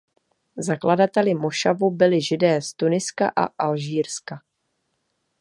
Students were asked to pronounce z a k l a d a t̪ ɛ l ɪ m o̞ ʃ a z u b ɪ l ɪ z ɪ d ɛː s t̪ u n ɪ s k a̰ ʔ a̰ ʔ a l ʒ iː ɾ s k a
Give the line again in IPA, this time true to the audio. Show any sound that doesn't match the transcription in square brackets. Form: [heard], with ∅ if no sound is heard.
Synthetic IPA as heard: z a k l a d a t̪ ɛ l ɪ m o̞ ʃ a [v] u b ɪ l ɪ [ʒ] ɪ d ɛː s t̪ u n ɪ s k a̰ ʔ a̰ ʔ a l ʒ iː ɾ s k a